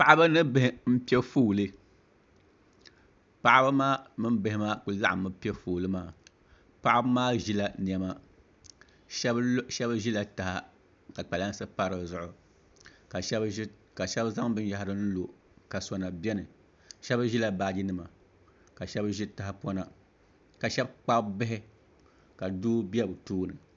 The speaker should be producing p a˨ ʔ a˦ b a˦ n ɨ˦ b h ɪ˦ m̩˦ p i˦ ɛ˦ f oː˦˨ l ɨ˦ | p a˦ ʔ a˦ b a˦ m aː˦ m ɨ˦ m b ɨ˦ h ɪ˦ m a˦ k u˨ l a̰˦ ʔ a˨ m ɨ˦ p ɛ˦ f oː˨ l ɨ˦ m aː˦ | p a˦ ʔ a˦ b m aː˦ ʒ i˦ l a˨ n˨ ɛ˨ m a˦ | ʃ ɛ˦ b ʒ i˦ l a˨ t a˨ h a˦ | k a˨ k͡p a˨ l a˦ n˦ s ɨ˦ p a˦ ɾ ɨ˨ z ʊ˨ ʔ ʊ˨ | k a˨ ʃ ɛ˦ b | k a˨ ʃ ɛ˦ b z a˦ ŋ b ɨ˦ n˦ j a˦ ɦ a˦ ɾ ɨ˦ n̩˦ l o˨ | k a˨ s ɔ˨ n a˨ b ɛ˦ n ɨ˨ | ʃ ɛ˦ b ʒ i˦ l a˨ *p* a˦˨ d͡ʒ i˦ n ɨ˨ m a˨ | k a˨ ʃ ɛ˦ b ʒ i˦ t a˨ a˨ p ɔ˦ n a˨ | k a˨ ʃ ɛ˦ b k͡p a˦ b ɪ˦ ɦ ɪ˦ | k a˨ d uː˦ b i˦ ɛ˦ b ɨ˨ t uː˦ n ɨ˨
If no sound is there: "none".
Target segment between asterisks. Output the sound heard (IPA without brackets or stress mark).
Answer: b